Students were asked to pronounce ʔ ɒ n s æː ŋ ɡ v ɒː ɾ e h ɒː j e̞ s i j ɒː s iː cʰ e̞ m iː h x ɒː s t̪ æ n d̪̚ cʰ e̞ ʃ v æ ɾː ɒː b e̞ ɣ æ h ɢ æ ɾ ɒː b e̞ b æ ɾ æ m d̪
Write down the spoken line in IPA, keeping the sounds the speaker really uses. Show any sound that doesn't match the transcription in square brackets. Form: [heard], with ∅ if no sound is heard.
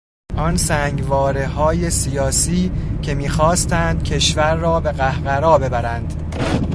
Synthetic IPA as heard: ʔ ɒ n s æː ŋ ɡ v ɒː ɾ e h ɒː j e̞ s i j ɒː s iː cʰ e̞ m iː [∅] x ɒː s t̪ æ n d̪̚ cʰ e̞ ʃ v æ ɾː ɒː b e̞ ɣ æ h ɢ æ ɾ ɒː b e̞ b æ ɾ æ [n] d̪